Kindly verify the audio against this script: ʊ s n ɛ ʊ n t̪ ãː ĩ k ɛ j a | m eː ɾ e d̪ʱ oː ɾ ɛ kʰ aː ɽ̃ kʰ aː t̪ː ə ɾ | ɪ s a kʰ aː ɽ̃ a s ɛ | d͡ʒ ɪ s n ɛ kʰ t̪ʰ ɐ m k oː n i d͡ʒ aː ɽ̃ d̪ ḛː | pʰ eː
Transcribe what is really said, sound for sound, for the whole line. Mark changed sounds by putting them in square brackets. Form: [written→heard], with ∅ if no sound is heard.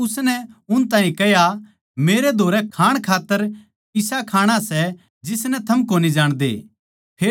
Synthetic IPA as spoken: ʊ s n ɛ ʊ n t̪ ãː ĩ k ɛ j a | m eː ɾ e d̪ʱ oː ɾ ɛ kʰ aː ɽ̃ kʰ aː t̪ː ə ɾ | ɪ s a kʰ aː ɽ̃ a s ɛ | d͡ʒ ɪ s n ɛ [kʰ→∅] t̪ʰ ɐ m k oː n i d͡ʒ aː ɽ̃ d̪ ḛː | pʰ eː